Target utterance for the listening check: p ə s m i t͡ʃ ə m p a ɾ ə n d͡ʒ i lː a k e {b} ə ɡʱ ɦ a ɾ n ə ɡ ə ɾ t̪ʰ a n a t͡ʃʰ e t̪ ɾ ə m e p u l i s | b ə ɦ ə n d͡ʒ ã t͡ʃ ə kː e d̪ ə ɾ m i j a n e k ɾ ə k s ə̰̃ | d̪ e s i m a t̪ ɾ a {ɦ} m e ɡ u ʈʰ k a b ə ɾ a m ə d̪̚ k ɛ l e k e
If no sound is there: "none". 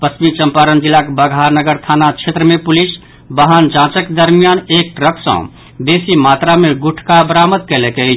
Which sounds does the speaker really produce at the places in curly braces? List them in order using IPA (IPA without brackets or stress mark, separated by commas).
b, none